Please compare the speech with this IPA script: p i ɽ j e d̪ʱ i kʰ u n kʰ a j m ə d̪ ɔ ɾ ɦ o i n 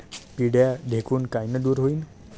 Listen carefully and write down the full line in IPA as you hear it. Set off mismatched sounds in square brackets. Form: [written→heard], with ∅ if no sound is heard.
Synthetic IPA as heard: p i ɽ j [e→a] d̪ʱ [i→e] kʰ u n [kʰ→k] a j [m→n] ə d̪ [ɔ→u] ɾ ɦ o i n